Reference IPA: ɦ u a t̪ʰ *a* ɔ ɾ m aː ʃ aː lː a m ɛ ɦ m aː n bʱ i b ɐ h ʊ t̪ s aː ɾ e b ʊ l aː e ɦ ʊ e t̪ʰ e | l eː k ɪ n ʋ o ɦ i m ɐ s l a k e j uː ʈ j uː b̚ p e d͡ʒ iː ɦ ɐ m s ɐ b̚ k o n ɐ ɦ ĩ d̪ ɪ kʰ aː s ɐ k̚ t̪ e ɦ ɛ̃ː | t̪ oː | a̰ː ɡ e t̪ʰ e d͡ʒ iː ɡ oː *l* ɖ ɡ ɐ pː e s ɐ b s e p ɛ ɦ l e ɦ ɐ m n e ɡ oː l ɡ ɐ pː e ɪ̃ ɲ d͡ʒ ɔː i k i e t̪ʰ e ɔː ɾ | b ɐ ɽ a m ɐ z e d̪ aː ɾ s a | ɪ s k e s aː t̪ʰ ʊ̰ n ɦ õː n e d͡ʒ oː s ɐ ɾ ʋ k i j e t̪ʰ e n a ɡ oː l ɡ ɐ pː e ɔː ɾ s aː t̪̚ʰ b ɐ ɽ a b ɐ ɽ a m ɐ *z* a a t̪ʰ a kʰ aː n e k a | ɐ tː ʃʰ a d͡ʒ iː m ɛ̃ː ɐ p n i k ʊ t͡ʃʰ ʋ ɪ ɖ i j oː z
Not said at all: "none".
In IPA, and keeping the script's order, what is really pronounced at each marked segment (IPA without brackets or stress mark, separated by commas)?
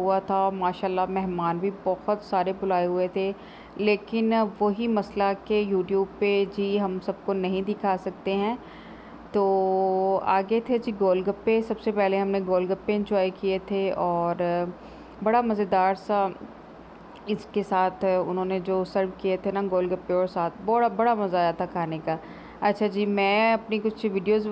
a, l, z